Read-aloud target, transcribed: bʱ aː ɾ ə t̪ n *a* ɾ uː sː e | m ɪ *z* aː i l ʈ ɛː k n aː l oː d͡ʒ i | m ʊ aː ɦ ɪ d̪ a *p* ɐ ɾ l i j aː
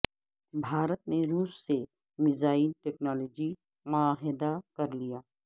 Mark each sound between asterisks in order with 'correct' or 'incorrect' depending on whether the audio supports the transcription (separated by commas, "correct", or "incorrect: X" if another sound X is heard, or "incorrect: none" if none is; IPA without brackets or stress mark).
incorrect: e, correct, incorrect: k